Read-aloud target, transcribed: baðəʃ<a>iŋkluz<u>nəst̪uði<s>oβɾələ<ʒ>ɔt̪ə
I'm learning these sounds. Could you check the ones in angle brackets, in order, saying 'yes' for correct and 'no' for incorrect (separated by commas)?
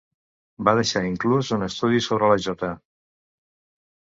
yes, yes, yes, yes